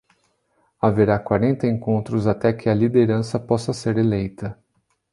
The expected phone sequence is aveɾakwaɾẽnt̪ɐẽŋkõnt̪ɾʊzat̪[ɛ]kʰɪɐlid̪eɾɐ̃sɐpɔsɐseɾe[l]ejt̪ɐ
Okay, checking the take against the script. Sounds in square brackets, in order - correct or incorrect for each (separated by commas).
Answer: correct, correct